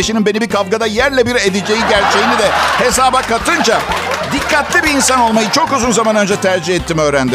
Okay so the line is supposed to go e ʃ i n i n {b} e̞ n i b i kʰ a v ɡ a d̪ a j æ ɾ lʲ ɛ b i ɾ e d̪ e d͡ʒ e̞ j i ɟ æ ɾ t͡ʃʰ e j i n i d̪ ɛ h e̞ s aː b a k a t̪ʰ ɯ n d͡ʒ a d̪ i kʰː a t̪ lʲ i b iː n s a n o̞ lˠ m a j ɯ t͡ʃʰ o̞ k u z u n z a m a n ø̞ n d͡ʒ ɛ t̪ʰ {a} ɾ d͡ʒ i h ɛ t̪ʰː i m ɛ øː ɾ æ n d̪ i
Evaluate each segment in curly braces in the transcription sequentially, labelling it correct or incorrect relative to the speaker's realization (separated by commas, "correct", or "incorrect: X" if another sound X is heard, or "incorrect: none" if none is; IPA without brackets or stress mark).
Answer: correct, incorrect: æ